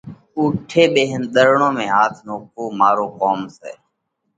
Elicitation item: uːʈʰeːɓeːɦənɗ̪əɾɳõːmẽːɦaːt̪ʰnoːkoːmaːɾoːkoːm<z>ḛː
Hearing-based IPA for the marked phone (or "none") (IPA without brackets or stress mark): s